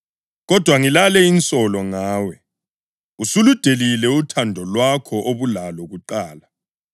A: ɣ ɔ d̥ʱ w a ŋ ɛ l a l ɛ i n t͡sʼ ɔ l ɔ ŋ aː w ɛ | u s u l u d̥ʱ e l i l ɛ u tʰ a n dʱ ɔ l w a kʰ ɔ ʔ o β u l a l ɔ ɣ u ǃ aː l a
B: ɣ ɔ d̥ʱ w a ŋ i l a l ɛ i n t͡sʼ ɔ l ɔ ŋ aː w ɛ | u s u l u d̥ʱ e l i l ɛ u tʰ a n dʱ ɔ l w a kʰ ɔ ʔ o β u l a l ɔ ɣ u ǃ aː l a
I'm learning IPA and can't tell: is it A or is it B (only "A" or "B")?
B